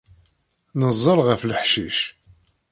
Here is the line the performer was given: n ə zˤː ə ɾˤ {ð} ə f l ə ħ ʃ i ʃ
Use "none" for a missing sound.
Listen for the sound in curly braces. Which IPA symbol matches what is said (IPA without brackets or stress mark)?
ʁ